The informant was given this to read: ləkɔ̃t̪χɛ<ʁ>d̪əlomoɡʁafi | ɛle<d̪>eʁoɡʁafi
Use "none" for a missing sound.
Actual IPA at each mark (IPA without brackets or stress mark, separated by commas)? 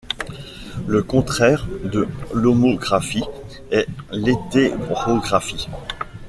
ʁ, t̪